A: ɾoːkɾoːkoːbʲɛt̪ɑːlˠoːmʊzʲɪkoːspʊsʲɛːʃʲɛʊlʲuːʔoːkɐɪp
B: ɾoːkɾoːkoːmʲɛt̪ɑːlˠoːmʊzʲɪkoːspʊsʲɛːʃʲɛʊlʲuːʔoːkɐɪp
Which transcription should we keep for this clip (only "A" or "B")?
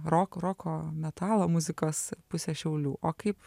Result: B